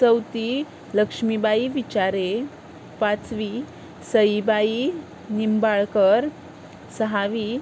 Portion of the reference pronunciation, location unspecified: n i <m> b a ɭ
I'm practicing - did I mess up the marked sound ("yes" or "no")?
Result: no